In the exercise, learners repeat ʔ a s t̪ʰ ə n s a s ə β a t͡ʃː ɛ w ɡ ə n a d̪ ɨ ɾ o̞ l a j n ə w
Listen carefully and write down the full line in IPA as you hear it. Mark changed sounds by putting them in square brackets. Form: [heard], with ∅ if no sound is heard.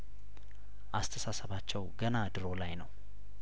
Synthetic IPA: ʔ a s t̪ʰ ə [∅] s a s ə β a t͡ʃː ɛ w ɡ ə n a d̪ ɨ ɾ o̞ l a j n ə w